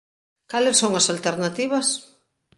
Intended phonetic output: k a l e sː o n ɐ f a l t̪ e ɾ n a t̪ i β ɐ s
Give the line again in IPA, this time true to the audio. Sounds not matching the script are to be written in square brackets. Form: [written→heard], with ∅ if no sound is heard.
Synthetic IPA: k a l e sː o [n→ŋ] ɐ [f→s] a l t̪ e ɾ n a t̪ i β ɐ s